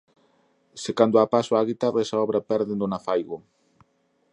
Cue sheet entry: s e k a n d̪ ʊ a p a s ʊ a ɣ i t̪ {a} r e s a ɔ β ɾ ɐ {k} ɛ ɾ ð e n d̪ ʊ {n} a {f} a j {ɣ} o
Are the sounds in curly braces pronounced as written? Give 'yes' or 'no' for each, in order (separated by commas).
yes, no, yes, yes, yes